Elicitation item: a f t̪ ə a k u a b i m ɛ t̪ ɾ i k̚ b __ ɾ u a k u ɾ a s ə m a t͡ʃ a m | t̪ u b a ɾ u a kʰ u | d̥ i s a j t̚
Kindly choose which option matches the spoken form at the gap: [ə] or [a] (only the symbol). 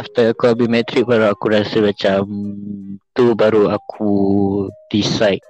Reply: a